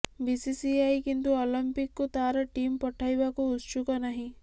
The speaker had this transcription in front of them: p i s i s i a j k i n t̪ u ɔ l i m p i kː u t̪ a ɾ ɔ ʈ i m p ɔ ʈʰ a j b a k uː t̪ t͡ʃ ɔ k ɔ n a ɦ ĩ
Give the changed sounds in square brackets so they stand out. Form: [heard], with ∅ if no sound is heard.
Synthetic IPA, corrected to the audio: [b] i s i s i a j k i n t̪ u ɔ l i m p i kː u t̪ a ɾ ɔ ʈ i m p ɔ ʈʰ a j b a k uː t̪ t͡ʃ [u] k ɔ n a ɦ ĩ